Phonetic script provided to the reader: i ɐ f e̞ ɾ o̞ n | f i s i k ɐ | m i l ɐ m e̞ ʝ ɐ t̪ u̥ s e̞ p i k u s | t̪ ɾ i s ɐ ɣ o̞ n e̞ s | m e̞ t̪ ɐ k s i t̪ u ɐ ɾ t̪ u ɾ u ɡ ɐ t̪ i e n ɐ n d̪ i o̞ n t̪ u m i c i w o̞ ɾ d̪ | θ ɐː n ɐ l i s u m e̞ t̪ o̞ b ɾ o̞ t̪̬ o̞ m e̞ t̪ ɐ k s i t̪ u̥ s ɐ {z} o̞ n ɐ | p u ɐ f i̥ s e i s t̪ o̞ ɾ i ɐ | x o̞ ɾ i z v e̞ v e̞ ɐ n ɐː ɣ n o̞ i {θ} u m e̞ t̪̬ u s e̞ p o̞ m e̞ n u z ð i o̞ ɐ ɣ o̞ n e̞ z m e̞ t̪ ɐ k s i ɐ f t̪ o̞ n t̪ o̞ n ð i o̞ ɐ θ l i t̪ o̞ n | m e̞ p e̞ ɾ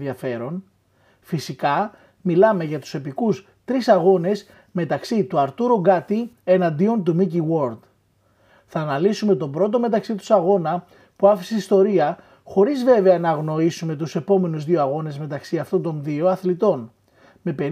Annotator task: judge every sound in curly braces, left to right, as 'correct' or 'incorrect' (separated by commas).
incorrect, incorrect